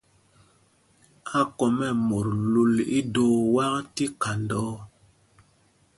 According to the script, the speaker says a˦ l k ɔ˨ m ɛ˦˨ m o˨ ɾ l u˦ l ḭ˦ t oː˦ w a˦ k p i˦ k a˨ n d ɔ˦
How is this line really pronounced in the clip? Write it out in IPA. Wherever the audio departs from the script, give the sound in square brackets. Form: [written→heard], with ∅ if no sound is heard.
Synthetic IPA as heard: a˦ [l→∅] k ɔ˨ m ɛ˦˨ m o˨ ɾ l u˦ l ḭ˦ [t→d] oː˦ w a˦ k [p→t] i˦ k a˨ n d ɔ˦